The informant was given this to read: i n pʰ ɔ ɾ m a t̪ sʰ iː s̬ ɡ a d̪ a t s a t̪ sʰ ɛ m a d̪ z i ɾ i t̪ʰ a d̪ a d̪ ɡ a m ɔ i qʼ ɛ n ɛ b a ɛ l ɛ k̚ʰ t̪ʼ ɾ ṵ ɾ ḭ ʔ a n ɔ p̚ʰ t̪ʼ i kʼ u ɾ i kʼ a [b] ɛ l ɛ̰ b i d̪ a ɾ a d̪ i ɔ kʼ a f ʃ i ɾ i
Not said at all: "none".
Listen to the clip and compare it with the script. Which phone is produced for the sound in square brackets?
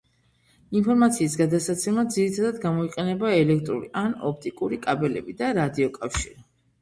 b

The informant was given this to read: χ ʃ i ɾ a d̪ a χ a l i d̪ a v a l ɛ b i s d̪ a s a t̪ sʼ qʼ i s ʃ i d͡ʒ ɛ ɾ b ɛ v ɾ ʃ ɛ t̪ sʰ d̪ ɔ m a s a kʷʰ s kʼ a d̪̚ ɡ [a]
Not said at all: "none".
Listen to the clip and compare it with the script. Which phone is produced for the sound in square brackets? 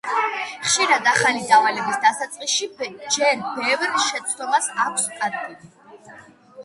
i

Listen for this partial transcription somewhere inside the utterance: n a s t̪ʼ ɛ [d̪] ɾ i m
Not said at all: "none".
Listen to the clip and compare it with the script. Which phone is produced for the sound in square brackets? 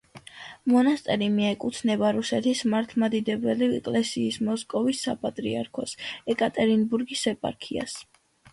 none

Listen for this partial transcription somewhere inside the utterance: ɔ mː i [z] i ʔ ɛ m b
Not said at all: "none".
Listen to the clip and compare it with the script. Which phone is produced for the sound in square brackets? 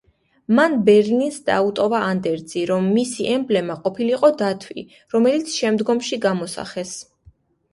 s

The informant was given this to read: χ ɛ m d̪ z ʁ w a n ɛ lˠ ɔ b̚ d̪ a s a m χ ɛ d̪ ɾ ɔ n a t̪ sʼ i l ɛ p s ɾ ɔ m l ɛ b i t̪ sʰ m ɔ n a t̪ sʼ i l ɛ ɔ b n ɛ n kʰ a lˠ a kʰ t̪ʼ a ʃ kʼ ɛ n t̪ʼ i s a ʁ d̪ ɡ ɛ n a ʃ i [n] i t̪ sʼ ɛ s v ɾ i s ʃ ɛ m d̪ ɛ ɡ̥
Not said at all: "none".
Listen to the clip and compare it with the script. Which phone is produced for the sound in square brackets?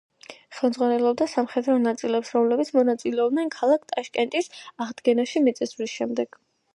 m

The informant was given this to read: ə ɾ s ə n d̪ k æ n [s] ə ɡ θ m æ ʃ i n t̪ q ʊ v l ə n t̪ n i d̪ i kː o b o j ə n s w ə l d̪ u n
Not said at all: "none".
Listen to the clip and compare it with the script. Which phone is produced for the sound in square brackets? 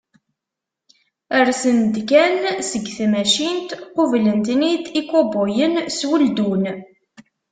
s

